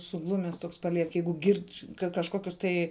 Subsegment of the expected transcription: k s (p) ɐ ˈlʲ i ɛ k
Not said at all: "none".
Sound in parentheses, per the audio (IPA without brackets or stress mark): p